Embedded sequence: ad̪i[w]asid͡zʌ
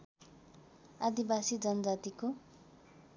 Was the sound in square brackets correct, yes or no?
no